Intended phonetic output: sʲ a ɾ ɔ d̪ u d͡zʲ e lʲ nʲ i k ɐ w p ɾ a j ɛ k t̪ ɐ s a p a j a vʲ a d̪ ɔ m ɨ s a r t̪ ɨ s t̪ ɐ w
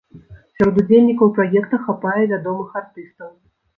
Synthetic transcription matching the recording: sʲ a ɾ ɔ d̪ u d͡zʲ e lʲ nʲ i k ɐ w p ɾ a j ɛ k t̪ ɐ x a p a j ɛ vʲ a d̪ ɔ m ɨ x a r t̪ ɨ s t̪ ɐ w